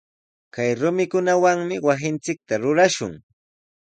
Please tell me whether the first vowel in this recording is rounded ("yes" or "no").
no